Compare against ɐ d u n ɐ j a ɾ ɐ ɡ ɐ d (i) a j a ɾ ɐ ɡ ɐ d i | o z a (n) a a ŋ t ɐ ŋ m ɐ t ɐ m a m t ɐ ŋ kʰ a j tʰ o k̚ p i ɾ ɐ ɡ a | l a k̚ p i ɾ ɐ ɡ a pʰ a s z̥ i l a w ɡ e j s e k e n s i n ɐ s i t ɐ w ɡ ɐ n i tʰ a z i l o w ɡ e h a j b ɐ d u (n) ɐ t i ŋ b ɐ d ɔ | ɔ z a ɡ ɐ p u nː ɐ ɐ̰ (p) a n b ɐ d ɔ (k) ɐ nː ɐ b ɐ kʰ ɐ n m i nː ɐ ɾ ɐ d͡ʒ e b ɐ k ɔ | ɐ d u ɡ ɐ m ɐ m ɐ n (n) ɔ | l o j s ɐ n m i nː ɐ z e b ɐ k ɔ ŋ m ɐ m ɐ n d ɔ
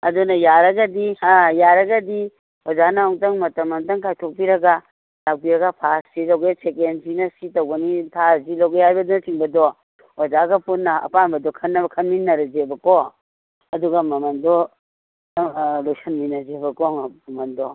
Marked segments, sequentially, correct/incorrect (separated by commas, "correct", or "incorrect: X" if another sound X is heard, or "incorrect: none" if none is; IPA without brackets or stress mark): correct, correct, correct, correct, incorrect: kʰ, incorrect: d